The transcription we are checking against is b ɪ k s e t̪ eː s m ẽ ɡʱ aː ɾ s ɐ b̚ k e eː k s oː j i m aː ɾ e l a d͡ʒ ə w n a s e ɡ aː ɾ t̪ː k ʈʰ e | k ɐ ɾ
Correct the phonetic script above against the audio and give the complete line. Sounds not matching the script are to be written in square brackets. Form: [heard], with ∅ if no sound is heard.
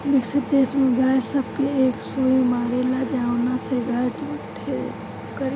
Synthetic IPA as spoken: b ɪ k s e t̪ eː s m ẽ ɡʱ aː ɾ s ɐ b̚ k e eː k s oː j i m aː ɾ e l a d͡ʒ [a] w n a s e ɡ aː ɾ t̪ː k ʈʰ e | k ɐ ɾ